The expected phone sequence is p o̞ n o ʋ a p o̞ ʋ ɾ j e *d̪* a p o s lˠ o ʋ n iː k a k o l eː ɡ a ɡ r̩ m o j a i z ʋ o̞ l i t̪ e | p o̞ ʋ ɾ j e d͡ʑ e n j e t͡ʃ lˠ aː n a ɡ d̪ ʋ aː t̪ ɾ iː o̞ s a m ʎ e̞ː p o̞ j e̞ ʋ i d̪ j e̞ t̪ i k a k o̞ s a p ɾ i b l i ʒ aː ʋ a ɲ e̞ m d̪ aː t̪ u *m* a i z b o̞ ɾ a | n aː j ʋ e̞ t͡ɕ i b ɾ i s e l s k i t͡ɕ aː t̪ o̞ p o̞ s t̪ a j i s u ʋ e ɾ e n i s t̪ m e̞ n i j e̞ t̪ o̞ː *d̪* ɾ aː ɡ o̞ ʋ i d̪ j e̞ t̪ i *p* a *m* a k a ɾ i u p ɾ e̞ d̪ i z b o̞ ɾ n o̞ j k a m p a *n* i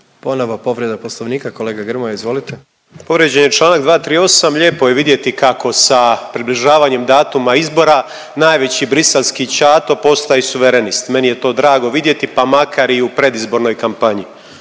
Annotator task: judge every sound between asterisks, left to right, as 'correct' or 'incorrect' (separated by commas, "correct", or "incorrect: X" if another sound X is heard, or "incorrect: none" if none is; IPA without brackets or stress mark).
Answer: correct, correct, correct, correct, correct, incorrect: ɲ